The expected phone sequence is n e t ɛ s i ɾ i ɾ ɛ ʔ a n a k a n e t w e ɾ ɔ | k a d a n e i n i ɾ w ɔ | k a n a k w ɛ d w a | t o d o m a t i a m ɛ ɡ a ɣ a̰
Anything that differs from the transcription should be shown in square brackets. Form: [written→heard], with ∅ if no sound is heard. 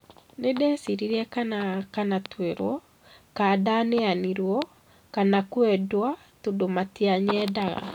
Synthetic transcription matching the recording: n e [t→d] ɛ s i ɾ i ɾ ɛ [ʔ→k] a n a k a n [e→a] t w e ɾ ɔ | k a d a n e [i→a] n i ɾ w ɔ | k a n a k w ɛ d w a | t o d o m a t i a [m→ɲ] ɛ [ɡ→d] a ɣ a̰